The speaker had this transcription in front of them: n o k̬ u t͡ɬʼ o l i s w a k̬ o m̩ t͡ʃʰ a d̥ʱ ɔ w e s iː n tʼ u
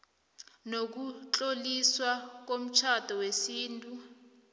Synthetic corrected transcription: n o k̬ u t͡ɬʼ o l i s w a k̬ o m̩ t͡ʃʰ a d̥ʱ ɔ w e s iː n tʼ u